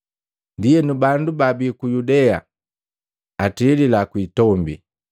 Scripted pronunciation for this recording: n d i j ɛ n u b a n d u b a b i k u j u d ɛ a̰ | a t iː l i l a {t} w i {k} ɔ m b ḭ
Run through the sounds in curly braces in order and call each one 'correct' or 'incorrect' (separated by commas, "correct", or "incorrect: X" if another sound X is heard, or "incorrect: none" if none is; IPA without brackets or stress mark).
incorrect: k, incorrect: t